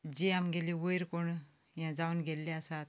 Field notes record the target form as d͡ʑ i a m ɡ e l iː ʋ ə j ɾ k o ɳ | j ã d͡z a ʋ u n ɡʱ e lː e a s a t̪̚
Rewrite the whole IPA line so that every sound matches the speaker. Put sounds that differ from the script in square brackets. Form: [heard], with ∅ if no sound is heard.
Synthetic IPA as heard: d͡ʑ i a m ɡ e l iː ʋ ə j ɾ k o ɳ | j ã d͡z a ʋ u n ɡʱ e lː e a s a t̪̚

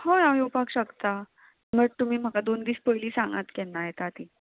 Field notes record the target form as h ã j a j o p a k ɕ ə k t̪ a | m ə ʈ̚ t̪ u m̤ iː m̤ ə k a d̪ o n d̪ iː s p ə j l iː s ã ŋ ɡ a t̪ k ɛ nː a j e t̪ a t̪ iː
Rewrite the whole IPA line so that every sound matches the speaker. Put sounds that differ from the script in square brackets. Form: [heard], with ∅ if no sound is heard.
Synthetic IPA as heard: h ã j a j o p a k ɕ ə k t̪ a | m ə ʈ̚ t̪ u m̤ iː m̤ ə k a d̪ o n d̪ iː s p ə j l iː s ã ŋ ɡ a t̪ k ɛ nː a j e t̪ a t̪ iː

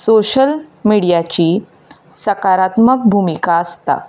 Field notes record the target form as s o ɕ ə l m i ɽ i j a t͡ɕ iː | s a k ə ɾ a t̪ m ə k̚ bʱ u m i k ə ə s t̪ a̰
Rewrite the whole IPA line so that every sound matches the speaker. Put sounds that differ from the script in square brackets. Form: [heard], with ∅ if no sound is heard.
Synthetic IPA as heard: s o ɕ ə l m i ɽ i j a t͡ɕ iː | s [ə] k [a] ɾ a t̪ m ə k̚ bʱ u m i k [a] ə s t̪ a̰

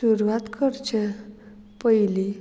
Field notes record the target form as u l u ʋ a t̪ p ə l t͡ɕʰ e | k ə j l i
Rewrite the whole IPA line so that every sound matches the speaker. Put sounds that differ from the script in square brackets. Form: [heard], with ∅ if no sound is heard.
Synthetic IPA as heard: u [ɾ] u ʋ a t̪ [k] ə [ɾ] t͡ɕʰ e | [p] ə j l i

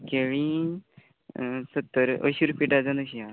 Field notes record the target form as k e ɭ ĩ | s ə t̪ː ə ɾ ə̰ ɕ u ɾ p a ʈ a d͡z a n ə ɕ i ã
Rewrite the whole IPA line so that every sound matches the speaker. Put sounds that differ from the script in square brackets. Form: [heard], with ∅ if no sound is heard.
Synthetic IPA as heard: k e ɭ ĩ | s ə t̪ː ə ɾ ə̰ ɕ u ɾ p [i] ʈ a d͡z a n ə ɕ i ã

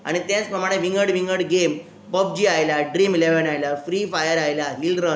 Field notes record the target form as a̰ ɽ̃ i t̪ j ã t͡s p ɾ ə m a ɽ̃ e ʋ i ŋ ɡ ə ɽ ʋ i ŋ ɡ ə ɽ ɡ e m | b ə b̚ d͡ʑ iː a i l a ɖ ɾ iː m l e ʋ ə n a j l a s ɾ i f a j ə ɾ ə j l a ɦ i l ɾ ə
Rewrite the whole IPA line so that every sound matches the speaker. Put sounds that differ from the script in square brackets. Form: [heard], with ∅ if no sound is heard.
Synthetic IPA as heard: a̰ ɽ̃ i t̪ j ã t͡s p ɾ ə m a ɽ̃ e ʋ i ŋ ɡ ə ɽ ʋ i ŋ ɡ ə ɽ ɡ e m | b ə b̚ d͡ʑ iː a [j] l a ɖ ɾ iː m l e ʋ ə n a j l a [f] ɾ i f a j ə ɾ [a] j l a ɦ i l ɾ ə

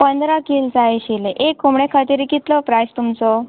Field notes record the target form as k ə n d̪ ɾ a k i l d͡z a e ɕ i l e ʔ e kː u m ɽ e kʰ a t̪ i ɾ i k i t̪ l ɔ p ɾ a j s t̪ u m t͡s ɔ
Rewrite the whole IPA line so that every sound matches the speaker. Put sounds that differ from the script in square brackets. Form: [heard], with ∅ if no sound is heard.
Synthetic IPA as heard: [p] ə n d̪ ɾ a k i l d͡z a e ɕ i l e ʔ e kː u m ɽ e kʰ a t̪ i ɾ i k i t̪ l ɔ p ɾ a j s t̪ u m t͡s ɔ

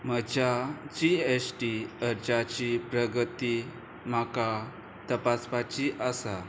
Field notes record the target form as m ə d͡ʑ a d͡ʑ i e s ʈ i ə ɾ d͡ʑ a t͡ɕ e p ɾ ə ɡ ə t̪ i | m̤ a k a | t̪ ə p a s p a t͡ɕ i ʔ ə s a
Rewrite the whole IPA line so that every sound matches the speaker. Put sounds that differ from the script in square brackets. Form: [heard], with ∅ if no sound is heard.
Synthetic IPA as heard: m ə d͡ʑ a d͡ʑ i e s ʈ i ə ɾ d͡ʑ a t͡ɕ [i] p ɾ ə ɡ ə t̪ i | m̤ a k a | t̪ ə p a s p a t͡ɕ i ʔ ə s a

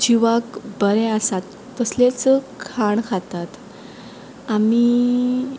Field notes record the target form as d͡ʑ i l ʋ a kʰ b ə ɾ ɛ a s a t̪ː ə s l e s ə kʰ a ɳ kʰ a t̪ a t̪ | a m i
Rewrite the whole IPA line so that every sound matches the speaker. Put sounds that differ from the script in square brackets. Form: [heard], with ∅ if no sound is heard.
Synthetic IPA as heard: d͡ʑ i [∅] ʋ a [k] b ə ɾ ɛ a s a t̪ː ə s l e [t͡s] ə kʰ a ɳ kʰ a t̪ a t̪ | a m i

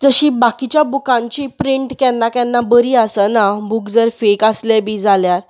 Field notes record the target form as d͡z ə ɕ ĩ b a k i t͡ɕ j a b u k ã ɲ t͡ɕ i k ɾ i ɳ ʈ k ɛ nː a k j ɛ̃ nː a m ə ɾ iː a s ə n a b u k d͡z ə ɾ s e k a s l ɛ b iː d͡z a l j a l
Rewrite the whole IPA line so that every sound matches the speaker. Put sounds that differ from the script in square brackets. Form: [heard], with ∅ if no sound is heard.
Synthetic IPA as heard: d͡z ə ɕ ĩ b a k i t͡ɕ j a b u k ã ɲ t͡ɕ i [p] ɾ i ɳ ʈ k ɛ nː a k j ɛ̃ nː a [b] ə ɾ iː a s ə n a b u k d͡z ə ɾ [f] e k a s l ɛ b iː d͡z a l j a [ɾ]

